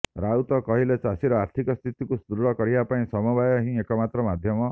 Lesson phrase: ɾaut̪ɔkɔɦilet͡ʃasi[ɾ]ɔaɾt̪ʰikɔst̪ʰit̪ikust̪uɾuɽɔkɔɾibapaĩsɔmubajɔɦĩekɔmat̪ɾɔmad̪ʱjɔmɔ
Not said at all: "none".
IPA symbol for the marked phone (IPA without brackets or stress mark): ɾ